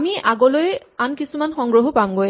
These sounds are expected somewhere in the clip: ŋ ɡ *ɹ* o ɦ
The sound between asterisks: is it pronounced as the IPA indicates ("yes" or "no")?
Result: yes